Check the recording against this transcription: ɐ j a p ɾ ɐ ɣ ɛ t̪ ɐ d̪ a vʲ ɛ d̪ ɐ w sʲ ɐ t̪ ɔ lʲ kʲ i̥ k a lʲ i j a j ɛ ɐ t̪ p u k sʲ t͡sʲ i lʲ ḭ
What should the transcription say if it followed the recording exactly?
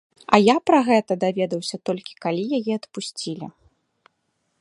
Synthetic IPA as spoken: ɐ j a p ɾ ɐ ɣ ɛ t̪ ɐ d̪ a vʲ ɛ d̪ ɐ w sʲ ɐ t̪ ɔ lʲ kʲ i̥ k a lʲ i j a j ɛ ɐ t̪ p u sʲ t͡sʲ i lʲ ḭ